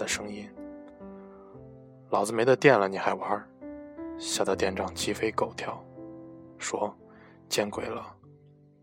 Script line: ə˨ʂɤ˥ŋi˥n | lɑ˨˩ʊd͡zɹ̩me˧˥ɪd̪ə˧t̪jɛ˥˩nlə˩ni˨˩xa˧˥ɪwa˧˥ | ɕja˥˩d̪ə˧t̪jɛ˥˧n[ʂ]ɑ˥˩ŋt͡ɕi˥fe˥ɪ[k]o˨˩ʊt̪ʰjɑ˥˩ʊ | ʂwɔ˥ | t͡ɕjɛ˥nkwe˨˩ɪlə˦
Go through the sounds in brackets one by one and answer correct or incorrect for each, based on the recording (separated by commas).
incorrect, correct